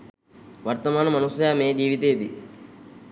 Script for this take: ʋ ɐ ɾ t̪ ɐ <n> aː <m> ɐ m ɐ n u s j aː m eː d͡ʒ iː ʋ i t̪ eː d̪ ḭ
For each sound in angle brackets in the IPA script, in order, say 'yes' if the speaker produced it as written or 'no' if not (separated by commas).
no, no